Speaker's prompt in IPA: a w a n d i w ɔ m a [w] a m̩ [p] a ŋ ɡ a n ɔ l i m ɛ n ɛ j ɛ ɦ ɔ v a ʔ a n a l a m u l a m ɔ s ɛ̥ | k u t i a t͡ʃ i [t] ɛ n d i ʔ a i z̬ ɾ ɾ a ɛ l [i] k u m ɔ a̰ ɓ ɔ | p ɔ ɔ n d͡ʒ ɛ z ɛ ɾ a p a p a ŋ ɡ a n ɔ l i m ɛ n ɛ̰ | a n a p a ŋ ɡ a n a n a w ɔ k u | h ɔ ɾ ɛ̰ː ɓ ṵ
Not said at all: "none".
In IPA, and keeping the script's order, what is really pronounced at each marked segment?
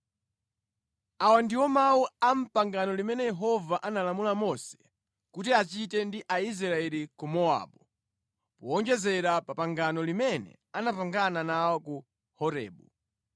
u, p, t, i

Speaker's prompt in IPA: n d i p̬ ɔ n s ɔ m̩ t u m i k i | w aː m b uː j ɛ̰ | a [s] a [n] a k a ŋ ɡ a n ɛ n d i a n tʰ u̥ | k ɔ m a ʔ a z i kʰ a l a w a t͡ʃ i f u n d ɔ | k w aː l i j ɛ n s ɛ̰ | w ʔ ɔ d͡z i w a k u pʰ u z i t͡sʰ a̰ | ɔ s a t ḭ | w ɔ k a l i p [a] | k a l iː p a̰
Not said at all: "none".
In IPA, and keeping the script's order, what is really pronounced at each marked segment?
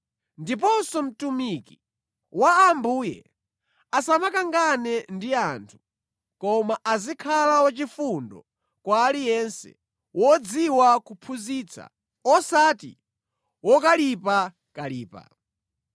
s, m, a

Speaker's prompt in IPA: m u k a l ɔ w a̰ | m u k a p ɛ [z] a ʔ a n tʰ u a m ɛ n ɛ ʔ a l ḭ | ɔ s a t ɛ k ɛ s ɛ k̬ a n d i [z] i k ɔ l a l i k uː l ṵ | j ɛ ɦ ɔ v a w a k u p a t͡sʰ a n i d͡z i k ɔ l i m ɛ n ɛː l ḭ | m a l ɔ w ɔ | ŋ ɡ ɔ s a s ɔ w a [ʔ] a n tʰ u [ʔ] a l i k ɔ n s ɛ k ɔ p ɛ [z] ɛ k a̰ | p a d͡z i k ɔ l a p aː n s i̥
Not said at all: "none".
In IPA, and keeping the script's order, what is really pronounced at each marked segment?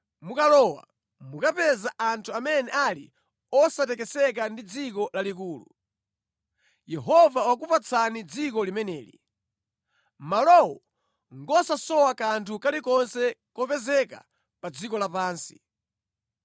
z, d͡z, k, k, z

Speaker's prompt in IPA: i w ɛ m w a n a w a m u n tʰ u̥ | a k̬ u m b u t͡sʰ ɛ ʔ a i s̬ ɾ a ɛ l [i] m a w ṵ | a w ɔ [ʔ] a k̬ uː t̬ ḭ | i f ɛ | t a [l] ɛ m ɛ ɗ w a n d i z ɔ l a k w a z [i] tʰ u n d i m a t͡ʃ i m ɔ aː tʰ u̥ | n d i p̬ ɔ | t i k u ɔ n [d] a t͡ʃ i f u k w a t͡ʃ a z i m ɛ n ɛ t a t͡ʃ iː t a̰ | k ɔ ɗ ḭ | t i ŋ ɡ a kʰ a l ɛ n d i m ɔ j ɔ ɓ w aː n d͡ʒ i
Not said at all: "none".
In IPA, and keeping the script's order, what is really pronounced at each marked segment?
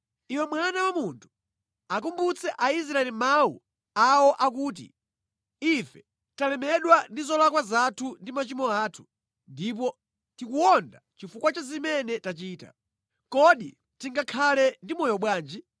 i, ʔ, l, a, d

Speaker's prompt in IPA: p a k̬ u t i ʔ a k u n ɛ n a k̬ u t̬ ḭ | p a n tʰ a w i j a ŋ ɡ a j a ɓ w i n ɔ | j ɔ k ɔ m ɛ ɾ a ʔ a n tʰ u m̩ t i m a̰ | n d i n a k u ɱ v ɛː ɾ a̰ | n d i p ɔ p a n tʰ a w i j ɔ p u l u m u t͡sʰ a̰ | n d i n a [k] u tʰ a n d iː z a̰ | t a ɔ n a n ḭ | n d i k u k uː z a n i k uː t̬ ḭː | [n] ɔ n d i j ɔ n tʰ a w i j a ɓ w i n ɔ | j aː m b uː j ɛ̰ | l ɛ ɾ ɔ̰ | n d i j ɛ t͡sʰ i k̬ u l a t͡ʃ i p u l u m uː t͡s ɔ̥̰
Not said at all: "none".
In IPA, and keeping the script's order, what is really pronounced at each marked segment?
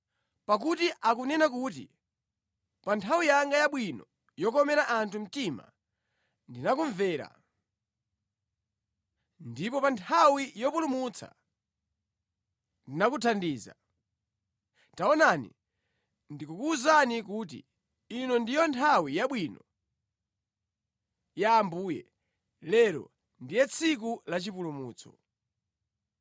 k, n

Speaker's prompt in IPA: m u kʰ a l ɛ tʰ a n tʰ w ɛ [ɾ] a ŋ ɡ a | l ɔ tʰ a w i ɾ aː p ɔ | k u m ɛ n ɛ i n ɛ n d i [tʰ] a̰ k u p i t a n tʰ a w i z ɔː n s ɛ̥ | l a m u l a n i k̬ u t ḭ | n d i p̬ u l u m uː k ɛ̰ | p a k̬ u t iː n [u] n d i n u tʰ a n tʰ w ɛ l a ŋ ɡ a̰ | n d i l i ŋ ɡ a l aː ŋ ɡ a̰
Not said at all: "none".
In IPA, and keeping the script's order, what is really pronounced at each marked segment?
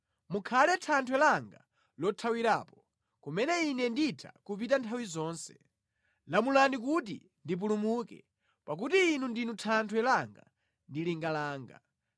l, tʰ, u

